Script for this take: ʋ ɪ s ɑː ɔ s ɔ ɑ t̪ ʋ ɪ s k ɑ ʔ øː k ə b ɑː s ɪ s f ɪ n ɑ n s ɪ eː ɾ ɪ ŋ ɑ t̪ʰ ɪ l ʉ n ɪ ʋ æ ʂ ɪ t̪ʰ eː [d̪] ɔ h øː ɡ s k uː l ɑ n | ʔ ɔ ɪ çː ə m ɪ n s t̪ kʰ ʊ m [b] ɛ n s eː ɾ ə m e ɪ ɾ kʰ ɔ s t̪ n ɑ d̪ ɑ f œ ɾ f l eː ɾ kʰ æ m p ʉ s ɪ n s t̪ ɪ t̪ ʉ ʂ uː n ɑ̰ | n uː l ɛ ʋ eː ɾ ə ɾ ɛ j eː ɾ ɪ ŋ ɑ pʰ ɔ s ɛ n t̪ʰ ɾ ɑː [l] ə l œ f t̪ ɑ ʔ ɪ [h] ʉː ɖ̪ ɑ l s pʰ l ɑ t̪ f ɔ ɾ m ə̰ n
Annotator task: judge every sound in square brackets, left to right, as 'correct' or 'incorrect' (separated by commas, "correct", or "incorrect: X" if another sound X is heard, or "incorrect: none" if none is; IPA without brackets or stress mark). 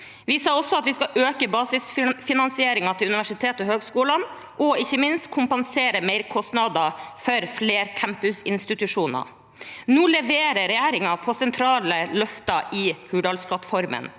incorrect: t̪, incorrect: p, correct, correct